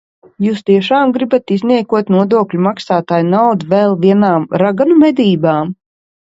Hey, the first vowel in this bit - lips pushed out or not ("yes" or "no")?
yes